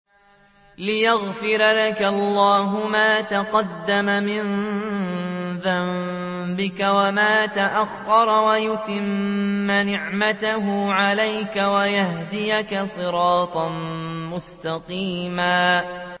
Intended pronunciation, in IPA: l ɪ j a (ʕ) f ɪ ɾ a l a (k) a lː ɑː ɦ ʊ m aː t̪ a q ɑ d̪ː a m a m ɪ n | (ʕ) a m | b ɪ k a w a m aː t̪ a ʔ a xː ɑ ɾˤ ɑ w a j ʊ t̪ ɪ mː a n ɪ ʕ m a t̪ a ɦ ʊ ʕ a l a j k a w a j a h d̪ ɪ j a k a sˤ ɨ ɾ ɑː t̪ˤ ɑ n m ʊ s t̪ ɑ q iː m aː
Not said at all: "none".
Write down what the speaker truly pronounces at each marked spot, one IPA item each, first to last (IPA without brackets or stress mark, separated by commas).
ɣ, k, ð